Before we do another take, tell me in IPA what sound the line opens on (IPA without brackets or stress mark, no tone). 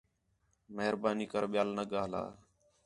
m